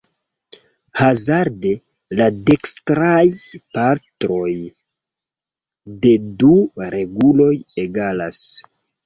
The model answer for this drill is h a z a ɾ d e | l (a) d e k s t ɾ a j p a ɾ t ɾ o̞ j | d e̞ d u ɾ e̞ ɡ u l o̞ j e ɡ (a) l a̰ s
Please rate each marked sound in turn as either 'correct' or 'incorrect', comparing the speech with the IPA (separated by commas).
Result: correct, correct